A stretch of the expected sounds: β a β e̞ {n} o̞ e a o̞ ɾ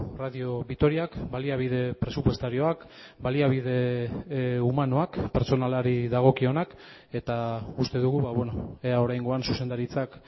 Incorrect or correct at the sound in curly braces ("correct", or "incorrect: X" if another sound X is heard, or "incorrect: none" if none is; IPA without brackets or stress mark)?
correct